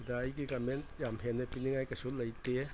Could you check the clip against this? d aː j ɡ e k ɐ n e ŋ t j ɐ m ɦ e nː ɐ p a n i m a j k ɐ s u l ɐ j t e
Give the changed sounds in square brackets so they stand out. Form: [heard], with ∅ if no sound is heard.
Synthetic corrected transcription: d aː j ɡ [i] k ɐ [m] e [n] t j [a] m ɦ e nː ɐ p [i] n i [ŋ] a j k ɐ s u l ɐ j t e